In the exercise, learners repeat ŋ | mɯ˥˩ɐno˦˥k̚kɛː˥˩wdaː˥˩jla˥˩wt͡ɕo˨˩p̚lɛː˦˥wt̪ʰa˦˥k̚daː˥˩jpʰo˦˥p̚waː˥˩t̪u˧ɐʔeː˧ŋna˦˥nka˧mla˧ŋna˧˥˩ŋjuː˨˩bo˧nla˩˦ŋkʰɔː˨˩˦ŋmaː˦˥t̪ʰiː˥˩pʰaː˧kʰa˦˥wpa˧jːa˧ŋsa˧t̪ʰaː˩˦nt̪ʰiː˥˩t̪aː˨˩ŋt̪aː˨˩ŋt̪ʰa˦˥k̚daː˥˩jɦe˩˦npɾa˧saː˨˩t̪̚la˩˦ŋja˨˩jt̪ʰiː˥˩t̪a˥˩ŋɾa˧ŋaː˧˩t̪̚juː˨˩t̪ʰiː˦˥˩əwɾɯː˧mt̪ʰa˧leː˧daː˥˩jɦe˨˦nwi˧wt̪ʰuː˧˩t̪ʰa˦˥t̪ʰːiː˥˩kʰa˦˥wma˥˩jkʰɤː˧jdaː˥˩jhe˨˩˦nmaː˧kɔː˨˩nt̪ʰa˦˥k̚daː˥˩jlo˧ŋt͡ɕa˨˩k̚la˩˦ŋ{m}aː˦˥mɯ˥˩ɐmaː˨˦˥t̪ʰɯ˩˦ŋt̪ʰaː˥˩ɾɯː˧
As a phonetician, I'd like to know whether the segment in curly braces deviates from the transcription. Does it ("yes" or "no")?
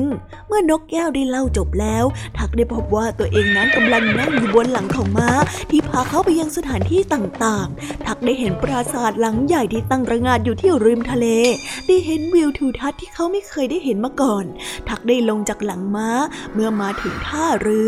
no